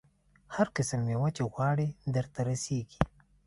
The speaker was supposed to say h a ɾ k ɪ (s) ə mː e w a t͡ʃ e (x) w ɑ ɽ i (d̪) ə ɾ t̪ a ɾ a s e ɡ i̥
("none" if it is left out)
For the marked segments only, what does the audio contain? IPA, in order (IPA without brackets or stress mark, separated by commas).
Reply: s, ɣ, d̪